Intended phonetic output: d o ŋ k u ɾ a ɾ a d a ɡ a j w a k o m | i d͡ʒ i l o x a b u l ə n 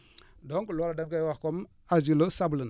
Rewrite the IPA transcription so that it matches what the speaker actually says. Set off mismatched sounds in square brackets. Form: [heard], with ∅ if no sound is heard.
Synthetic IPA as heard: d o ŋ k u [l] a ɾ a d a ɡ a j w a k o m | [a] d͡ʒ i l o [s] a b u l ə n

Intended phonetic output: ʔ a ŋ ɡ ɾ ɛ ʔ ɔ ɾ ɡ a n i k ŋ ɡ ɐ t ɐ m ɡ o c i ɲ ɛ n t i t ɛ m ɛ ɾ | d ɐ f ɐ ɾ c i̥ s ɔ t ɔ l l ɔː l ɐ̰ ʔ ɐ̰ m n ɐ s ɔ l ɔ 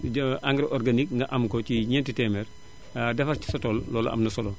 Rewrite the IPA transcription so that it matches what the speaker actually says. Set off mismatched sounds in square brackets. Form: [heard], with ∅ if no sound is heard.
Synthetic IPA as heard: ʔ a ŋ ɡ ɾ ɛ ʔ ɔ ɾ ɡ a n i k ŋ ɡ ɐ [ʔ] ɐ m [k] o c i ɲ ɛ n t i t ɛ m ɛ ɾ | d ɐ f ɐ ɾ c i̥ s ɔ t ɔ l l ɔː l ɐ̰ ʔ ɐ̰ m n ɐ s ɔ l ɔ

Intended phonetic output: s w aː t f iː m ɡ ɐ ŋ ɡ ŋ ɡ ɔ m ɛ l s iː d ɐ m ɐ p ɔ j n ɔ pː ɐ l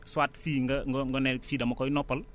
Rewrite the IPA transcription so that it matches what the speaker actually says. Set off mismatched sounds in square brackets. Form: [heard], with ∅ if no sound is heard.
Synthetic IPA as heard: s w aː t f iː [ŋ] ɡ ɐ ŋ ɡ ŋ ɡ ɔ [n] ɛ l [f] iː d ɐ m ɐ [k] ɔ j n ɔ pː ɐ l

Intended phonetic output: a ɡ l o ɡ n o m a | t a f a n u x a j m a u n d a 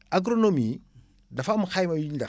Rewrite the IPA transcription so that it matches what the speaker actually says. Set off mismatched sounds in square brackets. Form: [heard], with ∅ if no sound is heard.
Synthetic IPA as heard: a ɡ [ɾ] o [∅] n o m [i] | [d] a f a [m] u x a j m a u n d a

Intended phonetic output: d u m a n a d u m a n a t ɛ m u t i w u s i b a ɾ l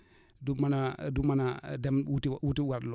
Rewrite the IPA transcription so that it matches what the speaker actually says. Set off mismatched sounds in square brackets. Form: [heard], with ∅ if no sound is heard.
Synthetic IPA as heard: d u m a n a d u m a n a [d] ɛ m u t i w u [t] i [w] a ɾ l

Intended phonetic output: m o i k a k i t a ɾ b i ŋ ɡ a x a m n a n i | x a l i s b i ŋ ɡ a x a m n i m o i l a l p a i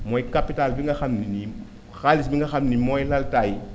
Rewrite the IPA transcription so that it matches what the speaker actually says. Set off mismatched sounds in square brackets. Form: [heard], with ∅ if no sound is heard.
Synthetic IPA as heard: m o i k a [p] i t a [l] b i ŋ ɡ a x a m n [i] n i | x a l i s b i ŋ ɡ a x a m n i m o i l a l [t] a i

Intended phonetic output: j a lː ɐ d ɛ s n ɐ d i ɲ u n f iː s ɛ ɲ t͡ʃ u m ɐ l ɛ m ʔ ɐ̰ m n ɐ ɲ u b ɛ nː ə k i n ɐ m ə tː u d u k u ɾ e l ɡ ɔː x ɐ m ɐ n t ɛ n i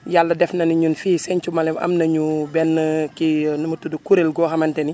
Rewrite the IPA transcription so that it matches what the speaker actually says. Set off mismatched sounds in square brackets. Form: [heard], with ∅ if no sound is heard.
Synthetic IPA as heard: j a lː ɐ d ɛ [f] n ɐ [n] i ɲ u n f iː s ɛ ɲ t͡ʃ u m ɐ l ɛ m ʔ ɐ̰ m n ɐ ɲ u b ɛ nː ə k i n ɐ m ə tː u d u k u ɾ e l ɡ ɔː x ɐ m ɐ n t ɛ n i

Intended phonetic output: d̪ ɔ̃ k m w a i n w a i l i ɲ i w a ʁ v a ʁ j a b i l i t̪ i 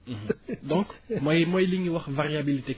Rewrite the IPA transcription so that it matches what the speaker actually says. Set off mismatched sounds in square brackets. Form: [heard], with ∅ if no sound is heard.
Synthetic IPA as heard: d̪ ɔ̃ k m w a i [m] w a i l i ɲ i w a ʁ v a ʁ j a b i l i t̪ [e]

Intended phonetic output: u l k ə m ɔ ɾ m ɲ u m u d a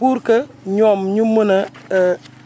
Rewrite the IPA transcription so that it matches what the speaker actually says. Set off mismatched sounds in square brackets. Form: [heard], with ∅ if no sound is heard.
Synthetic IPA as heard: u [ɾ] k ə [ɲ] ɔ [∅] m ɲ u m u [n] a

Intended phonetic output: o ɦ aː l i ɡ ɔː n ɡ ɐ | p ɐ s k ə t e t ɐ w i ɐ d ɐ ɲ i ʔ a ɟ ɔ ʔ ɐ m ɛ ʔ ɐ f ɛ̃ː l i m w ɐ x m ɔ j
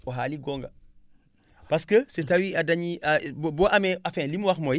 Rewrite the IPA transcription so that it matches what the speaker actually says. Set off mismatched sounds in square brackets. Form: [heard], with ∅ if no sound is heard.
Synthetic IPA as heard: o ɦ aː l i ɡ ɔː [ŋ] ɡ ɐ | p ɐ s k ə [s] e t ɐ w i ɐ d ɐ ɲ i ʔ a [b] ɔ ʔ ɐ m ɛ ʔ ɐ f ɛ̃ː l i m w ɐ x m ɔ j

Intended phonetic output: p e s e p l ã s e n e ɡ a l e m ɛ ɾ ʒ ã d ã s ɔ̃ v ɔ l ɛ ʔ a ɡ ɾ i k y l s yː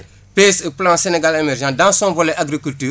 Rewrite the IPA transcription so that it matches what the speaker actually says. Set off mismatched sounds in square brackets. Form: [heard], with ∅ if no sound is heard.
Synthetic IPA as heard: p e s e p l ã s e n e ɡ a l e m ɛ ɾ ʒ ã d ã s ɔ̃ v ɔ l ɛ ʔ a ɡ ɾ i k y l [t] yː

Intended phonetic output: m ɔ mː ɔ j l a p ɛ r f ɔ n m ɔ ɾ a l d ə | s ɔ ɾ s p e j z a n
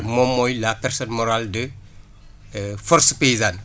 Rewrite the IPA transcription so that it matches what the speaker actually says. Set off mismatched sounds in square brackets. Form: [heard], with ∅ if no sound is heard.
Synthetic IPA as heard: m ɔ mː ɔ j l a p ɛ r [s] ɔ n m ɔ ɾ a l d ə | [f] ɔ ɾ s p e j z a n

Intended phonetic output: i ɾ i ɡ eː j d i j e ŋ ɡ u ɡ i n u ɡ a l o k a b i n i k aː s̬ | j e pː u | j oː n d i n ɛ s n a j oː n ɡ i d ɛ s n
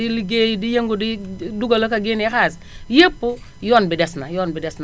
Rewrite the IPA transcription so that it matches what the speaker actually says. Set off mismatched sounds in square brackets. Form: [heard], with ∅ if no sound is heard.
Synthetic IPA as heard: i [l] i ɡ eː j d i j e ŋ ɡ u [d] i [d] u ɡ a l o k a [ɡ] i n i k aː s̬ | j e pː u | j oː n [b] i [d] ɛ s n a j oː n [b] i d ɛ s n

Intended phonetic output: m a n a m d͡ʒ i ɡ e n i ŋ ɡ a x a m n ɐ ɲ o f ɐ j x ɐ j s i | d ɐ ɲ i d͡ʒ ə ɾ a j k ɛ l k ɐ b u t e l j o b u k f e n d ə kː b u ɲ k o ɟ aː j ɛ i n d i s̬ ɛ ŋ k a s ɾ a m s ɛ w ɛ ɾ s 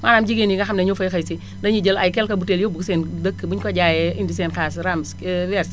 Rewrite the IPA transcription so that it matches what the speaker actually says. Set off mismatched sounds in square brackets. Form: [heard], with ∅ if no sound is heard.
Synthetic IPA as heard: m a n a m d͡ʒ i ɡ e n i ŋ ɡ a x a m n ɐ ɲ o f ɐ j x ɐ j s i | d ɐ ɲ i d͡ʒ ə [l] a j k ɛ l k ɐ b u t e l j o b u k [s] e n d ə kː b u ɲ k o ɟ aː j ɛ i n d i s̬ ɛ [n] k a s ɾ a m s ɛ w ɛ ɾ s

